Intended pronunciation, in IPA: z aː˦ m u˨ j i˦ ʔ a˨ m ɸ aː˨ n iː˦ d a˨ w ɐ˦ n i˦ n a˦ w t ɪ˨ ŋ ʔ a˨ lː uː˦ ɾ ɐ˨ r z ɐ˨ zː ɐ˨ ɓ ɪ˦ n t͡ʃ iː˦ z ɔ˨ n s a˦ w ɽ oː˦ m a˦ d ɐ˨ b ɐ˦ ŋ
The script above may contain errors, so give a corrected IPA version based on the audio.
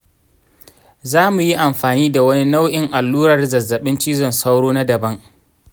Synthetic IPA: z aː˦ m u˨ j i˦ ʔ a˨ m ɸ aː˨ n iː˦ d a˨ w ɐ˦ n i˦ n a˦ w ʔ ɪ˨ ŋ ʔ a˨ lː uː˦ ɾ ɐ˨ r z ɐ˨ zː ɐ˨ ɓ ɪ˦ n t͡ʃ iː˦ z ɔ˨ n s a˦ w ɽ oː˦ n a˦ d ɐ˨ b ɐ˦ ŋ